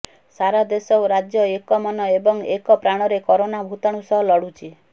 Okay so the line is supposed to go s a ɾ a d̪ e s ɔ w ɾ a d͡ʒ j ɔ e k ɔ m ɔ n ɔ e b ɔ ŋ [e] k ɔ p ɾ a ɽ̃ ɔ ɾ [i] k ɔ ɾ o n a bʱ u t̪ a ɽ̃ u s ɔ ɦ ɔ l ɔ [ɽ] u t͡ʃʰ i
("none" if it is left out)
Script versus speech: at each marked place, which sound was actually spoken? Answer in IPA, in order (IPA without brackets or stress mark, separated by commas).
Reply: e, e, ɽ